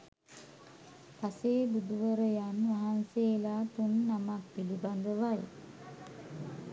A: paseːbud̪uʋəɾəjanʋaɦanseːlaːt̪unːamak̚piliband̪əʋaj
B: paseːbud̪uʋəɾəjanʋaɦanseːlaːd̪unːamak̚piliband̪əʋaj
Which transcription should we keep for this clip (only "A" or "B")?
A